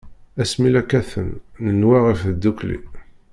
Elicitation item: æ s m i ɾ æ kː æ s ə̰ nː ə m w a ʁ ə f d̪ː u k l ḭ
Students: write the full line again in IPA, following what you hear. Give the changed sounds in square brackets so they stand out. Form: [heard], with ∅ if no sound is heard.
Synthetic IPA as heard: æ s m i [l] æ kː æ [θ] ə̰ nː ə [n] w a ʁ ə f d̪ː u k l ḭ